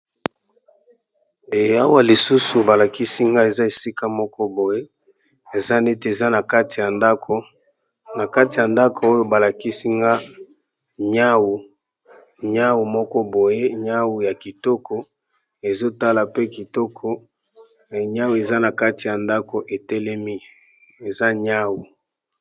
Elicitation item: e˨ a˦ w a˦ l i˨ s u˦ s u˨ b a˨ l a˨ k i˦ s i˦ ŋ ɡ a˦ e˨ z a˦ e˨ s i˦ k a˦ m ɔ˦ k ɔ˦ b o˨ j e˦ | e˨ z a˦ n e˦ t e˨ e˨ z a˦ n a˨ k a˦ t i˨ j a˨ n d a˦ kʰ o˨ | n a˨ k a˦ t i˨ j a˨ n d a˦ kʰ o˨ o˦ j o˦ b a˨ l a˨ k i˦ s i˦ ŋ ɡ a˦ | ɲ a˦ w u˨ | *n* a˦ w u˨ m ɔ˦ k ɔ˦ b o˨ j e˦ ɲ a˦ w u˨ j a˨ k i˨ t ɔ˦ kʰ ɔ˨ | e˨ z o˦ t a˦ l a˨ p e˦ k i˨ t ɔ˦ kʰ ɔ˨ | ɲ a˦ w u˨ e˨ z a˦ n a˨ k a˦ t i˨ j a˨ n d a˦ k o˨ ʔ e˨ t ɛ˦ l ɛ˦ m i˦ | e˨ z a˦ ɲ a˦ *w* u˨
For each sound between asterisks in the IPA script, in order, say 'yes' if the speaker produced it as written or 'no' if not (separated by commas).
no, yes